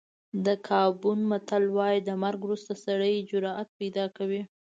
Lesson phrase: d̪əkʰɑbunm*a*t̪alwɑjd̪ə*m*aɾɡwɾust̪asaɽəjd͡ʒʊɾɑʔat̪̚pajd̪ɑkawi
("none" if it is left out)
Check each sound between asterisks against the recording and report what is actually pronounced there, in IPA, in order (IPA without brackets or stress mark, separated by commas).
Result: a, m